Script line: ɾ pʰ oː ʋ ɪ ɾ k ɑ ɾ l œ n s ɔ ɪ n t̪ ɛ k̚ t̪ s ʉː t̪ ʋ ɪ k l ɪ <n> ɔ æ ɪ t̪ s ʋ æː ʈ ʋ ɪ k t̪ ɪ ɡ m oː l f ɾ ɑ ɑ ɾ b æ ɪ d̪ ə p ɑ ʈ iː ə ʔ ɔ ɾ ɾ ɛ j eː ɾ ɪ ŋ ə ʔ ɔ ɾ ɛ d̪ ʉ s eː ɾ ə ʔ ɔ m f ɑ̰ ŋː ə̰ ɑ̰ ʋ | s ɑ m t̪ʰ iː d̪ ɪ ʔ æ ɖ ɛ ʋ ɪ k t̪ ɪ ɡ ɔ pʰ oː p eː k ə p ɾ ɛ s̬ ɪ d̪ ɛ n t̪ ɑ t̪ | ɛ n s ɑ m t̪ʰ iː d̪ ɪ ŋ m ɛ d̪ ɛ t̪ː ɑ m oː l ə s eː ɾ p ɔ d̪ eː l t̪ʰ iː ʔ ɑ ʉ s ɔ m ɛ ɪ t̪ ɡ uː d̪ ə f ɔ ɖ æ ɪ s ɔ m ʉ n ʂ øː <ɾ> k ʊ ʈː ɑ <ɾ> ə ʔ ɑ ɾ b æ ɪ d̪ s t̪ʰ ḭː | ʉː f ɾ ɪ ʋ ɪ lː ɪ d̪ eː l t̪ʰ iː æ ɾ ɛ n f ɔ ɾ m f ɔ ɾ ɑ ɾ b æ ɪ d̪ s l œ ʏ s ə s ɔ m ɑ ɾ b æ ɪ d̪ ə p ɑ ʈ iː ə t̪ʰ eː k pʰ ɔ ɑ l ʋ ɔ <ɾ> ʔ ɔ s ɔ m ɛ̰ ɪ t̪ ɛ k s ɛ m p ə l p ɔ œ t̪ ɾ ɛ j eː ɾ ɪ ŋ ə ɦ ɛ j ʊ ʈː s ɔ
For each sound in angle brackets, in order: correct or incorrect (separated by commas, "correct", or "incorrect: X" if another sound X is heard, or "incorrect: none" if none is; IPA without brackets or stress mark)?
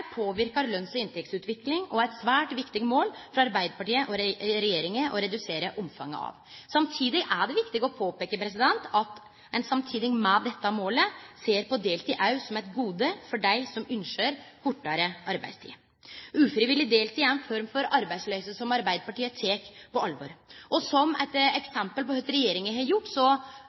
incorrect: ŋ, correct, correct, correct